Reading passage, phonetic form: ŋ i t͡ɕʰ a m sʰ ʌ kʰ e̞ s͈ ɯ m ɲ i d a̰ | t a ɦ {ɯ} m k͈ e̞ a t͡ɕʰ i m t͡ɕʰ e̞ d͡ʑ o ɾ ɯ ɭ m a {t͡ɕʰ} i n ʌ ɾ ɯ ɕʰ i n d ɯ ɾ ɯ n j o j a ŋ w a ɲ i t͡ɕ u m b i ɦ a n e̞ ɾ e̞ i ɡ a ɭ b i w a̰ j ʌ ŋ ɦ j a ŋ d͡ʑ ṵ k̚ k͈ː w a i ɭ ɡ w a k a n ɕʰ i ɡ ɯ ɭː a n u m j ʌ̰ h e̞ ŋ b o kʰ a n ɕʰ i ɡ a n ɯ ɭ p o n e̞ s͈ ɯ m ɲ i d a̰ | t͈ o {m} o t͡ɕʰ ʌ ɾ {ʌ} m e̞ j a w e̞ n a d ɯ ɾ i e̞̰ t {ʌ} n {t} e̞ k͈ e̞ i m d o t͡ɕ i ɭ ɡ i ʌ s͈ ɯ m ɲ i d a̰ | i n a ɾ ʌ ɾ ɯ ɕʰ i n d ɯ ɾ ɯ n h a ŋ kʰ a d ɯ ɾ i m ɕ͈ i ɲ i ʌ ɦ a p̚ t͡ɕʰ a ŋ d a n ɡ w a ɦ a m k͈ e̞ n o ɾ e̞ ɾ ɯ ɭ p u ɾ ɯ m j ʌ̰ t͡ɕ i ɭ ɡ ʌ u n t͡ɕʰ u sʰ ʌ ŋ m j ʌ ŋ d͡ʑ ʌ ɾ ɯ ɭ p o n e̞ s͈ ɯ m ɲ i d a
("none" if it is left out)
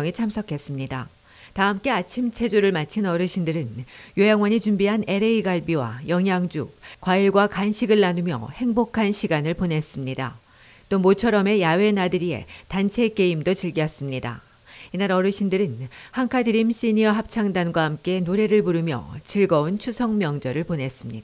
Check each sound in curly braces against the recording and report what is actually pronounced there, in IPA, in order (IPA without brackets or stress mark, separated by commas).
ɯ, t͡ɕʰ, m, ʌ, a, t͡ɕʰ